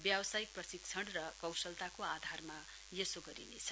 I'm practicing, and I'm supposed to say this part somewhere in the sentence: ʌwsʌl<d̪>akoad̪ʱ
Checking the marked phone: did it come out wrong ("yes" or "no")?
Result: yes